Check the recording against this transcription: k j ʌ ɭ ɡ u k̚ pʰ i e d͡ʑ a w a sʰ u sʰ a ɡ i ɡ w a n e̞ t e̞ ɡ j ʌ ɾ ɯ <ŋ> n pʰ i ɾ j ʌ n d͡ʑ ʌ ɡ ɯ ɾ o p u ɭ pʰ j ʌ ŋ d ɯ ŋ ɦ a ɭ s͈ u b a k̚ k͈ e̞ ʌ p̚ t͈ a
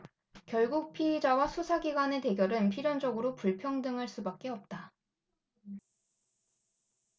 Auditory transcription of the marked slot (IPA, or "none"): none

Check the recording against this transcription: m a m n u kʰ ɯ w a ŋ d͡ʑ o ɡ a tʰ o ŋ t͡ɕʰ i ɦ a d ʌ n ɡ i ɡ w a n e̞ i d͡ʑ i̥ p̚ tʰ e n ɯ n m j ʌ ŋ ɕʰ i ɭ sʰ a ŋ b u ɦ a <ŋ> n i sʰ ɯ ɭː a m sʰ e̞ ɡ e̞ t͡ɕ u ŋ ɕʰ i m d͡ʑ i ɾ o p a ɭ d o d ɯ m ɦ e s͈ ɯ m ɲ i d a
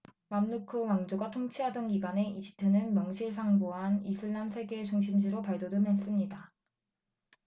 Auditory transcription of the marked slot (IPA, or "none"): none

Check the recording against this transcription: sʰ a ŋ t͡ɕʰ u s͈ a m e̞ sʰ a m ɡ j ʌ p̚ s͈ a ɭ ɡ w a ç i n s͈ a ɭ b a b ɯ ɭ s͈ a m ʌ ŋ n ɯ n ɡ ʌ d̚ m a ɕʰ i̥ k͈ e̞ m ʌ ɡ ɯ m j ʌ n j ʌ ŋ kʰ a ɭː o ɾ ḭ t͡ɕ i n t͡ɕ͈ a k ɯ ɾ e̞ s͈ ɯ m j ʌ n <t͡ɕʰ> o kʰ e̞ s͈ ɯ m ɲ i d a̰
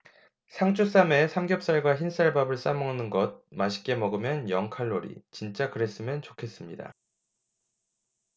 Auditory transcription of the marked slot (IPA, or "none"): t͡ɕ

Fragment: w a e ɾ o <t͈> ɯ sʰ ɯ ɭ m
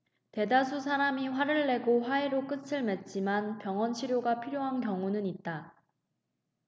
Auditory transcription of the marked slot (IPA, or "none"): k͈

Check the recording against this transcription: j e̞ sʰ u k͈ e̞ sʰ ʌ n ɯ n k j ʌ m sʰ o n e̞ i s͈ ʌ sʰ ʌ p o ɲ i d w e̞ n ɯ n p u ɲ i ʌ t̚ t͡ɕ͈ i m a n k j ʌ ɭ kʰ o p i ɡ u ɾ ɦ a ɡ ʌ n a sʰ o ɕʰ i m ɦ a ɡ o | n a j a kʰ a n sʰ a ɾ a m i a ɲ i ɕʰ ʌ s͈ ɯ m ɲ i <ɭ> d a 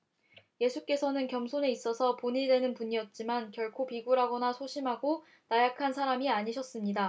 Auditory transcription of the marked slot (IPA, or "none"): none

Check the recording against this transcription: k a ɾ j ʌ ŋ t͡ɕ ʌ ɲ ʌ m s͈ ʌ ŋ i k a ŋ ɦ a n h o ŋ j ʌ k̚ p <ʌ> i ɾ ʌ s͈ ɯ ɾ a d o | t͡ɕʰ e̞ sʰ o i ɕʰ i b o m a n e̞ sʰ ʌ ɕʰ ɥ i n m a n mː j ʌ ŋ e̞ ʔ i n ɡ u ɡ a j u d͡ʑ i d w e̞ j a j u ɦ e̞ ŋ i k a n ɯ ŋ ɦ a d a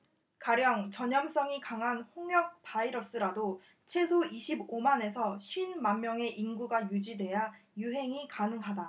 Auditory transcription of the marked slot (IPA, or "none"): a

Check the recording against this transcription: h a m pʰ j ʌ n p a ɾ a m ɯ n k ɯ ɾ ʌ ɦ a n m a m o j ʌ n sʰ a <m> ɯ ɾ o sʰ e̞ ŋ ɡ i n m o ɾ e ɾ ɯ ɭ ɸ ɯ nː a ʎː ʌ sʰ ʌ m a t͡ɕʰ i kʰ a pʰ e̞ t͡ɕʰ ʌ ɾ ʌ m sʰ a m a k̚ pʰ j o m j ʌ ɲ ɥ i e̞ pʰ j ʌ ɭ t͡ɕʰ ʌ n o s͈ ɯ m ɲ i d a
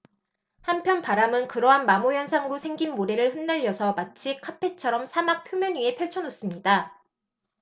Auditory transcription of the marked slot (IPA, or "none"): ŋ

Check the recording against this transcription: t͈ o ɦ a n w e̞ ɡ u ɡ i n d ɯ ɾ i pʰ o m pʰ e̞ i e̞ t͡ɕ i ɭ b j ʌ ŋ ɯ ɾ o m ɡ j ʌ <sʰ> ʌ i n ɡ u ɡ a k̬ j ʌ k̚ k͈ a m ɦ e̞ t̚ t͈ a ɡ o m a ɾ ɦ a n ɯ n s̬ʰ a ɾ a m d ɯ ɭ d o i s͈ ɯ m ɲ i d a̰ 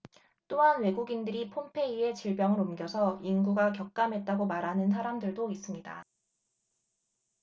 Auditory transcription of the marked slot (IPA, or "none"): sʰ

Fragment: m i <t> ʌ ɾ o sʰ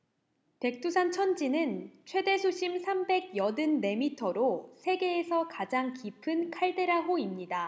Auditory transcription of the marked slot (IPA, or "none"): tʰ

